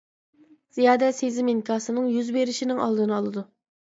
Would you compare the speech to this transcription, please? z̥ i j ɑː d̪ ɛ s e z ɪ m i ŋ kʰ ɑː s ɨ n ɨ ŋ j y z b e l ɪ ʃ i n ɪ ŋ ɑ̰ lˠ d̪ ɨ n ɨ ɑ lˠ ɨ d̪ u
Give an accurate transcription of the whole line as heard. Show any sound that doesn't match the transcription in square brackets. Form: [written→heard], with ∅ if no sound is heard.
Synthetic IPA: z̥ i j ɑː d̪ ɛ s e z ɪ m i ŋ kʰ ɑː s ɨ n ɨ ŋ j y z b e [l→ɾ] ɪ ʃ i n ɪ ŋ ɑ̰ lˠ d̪ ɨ n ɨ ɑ lˠ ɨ d̪ u